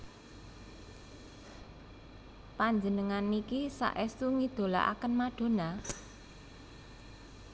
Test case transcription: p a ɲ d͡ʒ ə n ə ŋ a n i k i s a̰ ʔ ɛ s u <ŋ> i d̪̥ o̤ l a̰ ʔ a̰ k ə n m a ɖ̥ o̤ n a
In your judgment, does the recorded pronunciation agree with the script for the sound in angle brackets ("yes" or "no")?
yes